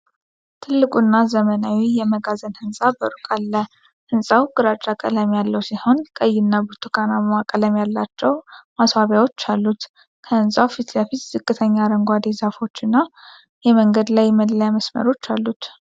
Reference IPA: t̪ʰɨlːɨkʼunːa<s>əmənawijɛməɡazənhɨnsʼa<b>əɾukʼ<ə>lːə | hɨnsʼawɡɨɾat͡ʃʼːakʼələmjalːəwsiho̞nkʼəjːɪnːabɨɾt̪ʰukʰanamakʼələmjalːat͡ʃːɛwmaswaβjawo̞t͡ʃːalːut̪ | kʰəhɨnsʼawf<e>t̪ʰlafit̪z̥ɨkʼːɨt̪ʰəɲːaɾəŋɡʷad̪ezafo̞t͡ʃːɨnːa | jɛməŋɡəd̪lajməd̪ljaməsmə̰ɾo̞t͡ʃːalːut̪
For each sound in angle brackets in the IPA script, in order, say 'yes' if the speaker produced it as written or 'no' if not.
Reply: no, yes, no, no

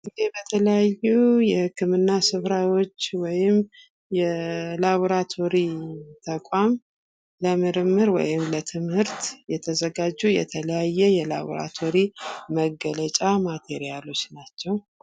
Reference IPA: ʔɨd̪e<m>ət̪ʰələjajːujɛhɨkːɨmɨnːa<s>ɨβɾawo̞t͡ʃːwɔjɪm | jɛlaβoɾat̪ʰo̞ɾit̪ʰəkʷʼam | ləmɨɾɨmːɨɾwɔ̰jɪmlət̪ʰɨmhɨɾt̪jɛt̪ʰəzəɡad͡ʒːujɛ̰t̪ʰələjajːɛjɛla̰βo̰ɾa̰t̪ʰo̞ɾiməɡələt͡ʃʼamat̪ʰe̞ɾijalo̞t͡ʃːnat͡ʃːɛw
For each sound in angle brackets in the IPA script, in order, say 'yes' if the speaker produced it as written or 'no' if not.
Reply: no, yes

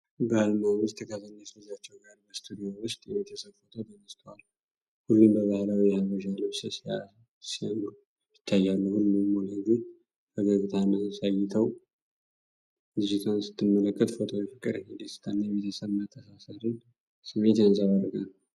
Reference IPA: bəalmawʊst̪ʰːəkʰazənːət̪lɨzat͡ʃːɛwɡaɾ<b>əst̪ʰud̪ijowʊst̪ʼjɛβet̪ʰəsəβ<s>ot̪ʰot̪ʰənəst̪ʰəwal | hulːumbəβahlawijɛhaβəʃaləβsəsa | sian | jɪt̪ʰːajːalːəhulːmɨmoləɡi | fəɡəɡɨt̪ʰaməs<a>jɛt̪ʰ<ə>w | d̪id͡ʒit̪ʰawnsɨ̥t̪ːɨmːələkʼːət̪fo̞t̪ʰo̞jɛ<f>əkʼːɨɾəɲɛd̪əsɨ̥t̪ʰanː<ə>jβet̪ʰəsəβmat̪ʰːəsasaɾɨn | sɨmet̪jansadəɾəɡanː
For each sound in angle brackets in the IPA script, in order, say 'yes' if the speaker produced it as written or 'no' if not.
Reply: yes, no, yes, yes, yes, no

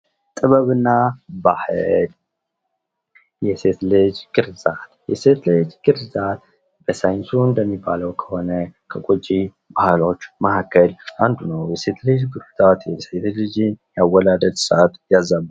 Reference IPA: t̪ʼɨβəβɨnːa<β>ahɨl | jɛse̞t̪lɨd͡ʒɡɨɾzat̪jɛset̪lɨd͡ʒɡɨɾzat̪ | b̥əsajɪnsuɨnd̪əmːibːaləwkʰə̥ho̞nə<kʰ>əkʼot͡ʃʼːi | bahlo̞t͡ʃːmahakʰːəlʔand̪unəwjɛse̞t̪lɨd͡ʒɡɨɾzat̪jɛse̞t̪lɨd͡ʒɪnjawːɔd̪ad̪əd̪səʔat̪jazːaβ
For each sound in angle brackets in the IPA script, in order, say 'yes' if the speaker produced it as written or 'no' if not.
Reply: no, yes

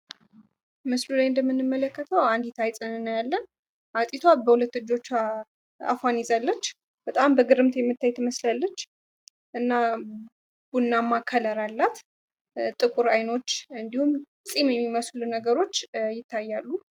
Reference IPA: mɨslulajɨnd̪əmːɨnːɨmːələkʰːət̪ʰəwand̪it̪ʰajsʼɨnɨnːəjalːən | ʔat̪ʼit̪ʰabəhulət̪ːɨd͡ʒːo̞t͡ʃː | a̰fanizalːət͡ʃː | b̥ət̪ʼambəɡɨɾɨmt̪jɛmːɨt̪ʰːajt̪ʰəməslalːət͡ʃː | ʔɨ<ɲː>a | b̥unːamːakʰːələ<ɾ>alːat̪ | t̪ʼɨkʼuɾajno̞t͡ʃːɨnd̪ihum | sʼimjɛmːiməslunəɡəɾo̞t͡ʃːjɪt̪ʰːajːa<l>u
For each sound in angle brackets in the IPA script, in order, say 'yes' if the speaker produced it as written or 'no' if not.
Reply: no, yes, no

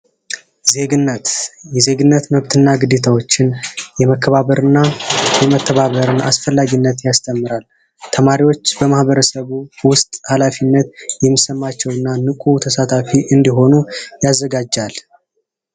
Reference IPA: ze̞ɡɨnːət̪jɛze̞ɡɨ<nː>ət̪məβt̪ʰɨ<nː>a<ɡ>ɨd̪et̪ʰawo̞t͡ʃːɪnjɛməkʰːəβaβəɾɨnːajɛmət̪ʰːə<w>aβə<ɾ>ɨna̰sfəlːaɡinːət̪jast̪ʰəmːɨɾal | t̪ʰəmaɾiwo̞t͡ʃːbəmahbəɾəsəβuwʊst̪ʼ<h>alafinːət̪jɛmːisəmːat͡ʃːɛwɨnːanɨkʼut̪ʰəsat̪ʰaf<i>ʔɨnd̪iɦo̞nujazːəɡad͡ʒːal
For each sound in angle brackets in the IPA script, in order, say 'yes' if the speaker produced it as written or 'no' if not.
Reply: yes, yes, yes, no, yes, yes, yes

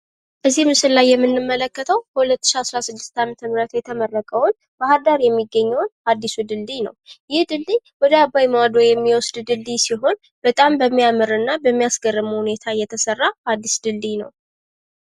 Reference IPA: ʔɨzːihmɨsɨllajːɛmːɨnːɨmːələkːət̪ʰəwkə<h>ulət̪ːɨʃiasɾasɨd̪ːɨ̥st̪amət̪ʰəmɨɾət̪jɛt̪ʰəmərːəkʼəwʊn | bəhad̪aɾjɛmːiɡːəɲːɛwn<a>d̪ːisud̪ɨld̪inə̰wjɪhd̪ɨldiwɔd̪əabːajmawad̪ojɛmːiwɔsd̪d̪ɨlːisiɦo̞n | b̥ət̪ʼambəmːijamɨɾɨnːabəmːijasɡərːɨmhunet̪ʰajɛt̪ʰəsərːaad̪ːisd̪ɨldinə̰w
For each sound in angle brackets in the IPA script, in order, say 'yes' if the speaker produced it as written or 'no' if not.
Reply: yes, yes

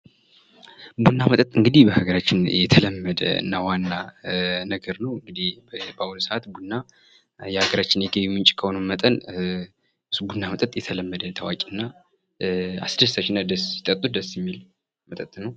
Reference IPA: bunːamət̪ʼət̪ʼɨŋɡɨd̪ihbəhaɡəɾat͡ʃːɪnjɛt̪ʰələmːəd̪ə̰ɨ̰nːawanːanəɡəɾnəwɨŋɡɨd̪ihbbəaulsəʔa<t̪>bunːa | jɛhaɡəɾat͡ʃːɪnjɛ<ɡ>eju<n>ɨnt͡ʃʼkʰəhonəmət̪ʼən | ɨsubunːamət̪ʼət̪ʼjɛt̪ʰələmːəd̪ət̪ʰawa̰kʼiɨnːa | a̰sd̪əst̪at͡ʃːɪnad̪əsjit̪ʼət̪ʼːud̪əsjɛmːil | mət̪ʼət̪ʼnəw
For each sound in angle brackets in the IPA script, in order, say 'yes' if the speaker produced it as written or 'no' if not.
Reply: yes, yes, no

